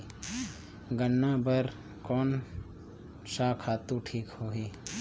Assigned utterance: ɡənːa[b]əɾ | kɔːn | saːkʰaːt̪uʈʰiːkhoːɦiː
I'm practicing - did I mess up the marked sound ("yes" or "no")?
no